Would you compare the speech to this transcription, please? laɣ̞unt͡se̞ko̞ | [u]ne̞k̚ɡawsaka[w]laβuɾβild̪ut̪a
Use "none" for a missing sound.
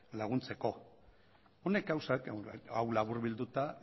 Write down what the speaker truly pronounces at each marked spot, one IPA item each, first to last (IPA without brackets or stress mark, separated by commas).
o, w